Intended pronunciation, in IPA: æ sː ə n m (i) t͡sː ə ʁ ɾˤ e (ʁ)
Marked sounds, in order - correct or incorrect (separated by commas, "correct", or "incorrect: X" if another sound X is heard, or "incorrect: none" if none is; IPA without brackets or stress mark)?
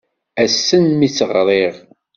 correct, correct